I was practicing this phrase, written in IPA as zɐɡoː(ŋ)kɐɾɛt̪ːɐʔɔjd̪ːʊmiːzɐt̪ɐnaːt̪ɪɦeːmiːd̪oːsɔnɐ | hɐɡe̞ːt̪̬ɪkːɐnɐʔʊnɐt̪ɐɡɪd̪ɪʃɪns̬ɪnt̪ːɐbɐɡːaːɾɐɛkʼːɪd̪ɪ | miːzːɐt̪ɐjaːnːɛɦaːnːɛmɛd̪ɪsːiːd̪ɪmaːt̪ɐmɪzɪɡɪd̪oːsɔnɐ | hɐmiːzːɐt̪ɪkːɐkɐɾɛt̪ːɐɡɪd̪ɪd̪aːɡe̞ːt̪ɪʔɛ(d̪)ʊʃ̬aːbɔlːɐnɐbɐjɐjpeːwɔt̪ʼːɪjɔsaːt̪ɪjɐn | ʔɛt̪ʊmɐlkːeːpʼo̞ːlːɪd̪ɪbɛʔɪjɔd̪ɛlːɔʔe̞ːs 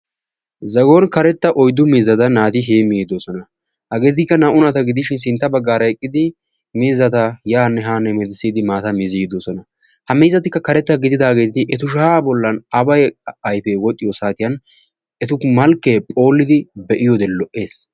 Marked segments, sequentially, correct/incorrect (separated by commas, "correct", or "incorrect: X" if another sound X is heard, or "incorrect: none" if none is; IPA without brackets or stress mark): incorrect: n, incorrect: t̪